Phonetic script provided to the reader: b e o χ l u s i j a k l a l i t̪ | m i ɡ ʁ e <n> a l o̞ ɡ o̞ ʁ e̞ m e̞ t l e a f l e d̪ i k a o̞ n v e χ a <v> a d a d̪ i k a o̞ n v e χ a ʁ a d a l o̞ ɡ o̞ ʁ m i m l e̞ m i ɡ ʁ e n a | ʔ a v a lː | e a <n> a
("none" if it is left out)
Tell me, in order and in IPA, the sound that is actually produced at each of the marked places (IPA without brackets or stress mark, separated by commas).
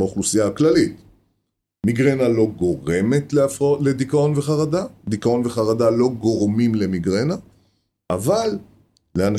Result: n, ʁ, n